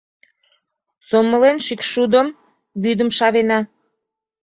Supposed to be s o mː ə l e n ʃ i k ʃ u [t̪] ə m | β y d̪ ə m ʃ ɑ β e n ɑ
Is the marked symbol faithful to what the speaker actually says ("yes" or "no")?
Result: no